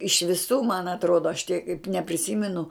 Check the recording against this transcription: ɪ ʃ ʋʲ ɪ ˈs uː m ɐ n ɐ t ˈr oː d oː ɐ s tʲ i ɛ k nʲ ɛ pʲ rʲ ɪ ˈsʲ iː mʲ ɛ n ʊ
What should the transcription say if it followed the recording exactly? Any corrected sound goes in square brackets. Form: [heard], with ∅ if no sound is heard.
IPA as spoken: ɪ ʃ ʋʲ ɪ ˈs uː m ɐ n ɐ t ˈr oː d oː ɐ [ʃ] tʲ i ɛ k nʲ ɛ pʲ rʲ ɪ ˈsʲ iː mʲ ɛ n ʊ